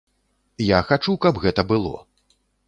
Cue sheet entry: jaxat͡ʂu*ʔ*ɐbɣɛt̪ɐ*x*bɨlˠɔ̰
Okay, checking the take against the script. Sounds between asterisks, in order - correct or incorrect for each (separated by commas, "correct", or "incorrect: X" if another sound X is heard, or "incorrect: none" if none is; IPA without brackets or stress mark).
incorrect: k, incorrect: none